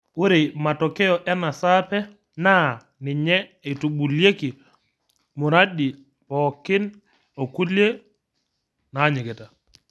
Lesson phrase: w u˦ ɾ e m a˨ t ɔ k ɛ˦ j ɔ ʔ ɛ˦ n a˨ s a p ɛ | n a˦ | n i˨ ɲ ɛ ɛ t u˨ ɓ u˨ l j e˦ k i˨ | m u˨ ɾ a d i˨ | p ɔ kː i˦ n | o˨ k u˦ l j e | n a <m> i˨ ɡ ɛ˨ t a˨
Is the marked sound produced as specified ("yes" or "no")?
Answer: no